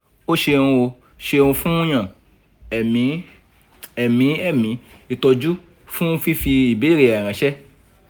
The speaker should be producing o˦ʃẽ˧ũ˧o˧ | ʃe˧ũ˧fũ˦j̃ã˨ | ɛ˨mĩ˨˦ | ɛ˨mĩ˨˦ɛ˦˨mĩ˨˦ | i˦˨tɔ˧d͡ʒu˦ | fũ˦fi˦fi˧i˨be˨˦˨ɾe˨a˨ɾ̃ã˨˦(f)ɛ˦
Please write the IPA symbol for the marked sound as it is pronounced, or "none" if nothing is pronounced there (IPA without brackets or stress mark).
ʃ